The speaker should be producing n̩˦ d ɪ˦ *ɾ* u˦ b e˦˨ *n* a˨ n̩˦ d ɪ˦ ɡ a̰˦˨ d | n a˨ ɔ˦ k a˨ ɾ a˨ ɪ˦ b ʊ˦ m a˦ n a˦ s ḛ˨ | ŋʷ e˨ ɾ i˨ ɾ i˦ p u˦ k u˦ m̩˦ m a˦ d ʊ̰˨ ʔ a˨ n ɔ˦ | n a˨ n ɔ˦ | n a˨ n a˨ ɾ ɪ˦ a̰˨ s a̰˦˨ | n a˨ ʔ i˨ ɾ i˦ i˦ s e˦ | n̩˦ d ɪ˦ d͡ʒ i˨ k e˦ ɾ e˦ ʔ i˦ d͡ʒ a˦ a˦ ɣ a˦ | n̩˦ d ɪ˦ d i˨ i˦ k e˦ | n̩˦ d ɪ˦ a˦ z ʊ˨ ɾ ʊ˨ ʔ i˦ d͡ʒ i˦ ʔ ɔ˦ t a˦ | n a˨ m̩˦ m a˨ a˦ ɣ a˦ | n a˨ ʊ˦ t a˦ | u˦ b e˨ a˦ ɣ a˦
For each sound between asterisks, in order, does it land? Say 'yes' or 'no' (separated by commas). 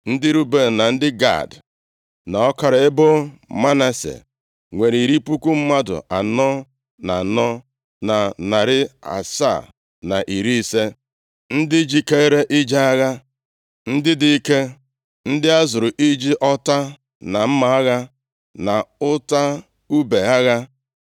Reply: yes, yes